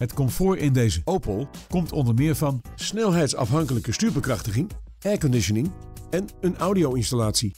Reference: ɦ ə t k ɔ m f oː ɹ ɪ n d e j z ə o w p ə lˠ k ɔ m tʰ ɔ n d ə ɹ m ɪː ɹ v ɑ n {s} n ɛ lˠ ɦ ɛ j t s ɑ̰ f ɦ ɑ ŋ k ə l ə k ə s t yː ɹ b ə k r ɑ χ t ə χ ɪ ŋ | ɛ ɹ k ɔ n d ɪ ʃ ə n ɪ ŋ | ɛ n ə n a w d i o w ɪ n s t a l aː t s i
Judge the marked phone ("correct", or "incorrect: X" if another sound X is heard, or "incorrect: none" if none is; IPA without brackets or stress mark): correct